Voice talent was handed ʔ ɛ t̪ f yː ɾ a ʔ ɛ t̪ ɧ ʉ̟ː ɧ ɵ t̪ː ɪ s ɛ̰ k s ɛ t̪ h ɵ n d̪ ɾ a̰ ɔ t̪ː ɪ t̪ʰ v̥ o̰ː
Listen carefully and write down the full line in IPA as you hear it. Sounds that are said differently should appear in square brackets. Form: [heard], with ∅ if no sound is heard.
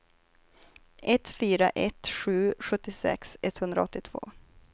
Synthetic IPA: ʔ ɛ t̪ f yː ɾ a ʔ ɛ t̪ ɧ ʉ̟ː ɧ ɵ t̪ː ɪ s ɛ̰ k s ɛ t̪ h ɵ n d̪ ɾ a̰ ɔ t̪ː ɪ t̪ʰ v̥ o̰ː